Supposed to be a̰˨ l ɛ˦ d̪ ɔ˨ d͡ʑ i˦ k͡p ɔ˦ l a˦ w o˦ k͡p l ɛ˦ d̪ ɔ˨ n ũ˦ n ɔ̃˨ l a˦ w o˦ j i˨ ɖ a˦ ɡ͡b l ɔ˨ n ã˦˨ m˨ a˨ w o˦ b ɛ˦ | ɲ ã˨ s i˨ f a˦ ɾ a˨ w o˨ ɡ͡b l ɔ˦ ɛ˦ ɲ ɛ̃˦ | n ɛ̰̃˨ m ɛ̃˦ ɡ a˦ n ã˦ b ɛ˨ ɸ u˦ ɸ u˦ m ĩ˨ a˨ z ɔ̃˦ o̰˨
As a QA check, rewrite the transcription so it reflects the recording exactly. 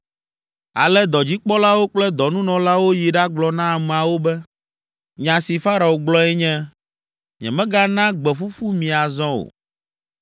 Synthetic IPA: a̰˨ l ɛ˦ d̪ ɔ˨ d͡ʑ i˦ k͡p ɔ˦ l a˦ w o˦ k͡p l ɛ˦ d̪ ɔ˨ n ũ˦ n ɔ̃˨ l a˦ w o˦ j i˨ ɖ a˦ ɡ͡b l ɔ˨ n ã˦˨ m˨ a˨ w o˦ b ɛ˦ | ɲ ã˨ s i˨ f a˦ ɾ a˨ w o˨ ɡ͡b l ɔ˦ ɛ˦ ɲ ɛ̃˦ | ɲ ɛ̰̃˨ m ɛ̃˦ ɡ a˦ n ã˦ ɡ͡b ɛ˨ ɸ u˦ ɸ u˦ m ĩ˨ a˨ z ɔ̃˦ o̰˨